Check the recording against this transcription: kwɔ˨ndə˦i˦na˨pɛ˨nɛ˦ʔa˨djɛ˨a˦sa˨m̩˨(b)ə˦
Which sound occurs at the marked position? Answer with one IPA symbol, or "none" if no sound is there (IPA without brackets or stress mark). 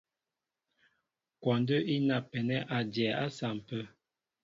p